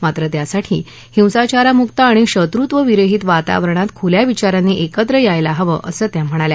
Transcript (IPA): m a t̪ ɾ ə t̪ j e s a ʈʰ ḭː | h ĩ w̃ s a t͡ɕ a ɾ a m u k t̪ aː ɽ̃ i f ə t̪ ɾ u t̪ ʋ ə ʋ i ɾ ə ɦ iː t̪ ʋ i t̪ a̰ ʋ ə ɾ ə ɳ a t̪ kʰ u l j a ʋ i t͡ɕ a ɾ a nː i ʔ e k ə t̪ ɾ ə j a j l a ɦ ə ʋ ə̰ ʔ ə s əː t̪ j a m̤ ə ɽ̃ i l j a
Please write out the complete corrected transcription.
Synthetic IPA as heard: m a t̪ ɾ ə t̪ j a s a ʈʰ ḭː | h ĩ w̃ s a t͡ɕ a ɾ a m u k t̪ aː ɽ̃ i ɕ ə t̪ ɾ u t̪ ʋ ə ʋ i ɾ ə ɦ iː t̪ ʋ a t̪ a̰ ʋ ə ɾ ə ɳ a t̪ kʰ u l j a ʋ i t͡ɕ a ɾ a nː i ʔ e k ə t̪ ɾ ə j a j l a ɦ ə ʋ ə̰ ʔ ə s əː t̪ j a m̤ ə ɽ̃ a l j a